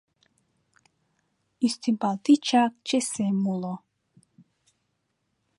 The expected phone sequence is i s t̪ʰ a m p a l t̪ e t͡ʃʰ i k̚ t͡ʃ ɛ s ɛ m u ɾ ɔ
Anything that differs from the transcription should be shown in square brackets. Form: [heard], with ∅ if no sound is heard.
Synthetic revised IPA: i s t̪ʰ [i] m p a l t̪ [i] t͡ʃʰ [a] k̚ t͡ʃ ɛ s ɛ m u [l] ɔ